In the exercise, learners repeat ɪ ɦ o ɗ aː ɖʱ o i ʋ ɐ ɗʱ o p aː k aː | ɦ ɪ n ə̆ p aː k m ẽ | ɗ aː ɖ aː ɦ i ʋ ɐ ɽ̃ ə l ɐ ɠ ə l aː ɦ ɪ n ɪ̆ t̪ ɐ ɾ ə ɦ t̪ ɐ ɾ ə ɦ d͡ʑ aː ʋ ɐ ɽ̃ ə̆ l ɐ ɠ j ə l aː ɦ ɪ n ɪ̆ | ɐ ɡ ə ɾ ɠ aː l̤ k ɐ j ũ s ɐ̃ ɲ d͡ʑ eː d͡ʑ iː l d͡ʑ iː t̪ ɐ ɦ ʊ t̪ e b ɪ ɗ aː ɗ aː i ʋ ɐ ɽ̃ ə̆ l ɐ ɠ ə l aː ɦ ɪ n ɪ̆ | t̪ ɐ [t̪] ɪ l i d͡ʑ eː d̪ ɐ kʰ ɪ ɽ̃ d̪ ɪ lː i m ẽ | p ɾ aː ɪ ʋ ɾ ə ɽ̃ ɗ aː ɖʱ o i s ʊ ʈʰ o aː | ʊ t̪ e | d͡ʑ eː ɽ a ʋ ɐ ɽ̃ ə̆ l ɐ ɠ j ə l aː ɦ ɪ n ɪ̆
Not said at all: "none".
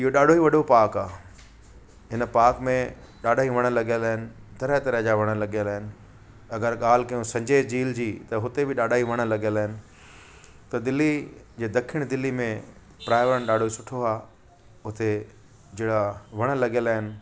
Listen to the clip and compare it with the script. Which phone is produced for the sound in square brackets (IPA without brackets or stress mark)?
d̪